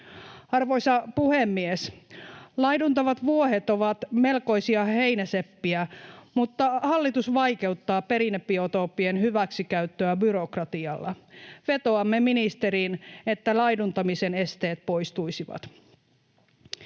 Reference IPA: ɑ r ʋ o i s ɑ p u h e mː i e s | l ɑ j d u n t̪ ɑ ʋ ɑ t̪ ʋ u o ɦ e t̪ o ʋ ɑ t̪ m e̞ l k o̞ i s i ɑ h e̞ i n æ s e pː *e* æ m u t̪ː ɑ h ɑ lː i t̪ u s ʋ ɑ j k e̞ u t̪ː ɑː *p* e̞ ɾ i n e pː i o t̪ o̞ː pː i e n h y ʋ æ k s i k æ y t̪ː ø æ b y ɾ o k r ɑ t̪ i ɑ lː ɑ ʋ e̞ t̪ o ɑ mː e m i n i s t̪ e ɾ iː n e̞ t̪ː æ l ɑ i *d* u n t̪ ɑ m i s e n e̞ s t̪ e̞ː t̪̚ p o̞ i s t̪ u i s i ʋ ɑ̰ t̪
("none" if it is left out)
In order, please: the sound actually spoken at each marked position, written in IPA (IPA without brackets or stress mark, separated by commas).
i, p, d